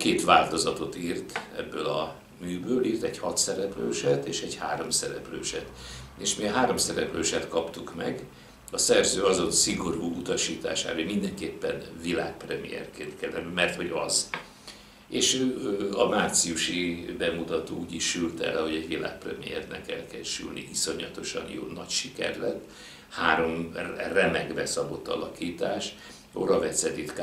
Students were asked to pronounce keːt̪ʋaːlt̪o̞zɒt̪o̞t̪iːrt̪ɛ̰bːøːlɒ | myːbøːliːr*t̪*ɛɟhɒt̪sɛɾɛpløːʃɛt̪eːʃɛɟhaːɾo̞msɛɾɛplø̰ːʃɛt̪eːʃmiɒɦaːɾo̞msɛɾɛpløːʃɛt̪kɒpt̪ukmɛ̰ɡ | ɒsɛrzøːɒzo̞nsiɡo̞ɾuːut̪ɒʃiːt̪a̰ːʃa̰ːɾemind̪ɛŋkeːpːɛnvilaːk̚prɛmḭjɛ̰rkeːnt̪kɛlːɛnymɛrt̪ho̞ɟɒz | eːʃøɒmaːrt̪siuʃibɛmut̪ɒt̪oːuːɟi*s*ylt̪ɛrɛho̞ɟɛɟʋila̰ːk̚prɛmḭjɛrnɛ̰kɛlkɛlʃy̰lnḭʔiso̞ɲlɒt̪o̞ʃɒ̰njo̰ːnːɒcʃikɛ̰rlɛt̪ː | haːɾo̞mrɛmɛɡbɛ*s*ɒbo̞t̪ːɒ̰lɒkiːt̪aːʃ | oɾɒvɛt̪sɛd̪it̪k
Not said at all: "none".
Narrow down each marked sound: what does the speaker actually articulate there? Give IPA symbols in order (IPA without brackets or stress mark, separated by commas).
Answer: t̪, ʃ, s